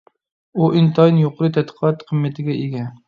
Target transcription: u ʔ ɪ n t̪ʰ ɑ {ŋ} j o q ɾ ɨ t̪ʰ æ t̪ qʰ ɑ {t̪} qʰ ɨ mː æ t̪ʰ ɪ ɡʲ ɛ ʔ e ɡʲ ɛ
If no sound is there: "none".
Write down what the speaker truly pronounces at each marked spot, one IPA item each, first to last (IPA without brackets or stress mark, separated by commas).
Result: n, t̪